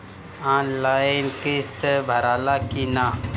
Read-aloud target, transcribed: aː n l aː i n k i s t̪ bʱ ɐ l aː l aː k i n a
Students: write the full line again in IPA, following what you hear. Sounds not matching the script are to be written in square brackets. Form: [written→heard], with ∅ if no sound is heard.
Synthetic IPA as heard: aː n l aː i n k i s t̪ bʱ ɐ [l→ɾ] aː l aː k i n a